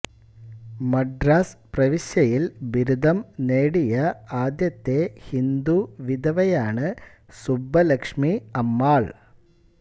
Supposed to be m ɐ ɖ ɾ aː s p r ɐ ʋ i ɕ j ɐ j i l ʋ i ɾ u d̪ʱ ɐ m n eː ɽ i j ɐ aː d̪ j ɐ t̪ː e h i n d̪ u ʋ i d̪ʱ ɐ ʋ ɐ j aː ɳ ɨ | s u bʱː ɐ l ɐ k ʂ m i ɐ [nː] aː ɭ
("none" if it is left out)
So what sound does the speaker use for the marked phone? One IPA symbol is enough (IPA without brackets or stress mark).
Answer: mː